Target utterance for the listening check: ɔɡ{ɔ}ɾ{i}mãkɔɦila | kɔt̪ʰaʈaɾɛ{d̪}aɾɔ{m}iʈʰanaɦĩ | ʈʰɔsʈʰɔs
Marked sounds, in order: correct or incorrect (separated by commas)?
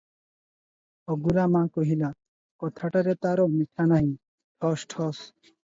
incorrect, incorrect, incorrect, correct